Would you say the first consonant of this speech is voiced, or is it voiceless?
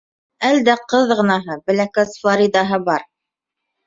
voiced